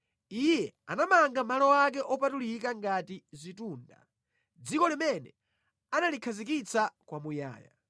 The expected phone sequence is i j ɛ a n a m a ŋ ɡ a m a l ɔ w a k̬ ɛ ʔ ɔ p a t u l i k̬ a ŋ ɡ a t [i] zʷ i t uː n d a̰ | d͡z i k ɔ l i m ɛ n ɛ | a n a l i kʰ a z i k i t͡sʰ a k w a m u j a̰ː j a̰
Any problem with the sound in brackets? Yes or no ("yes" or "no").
no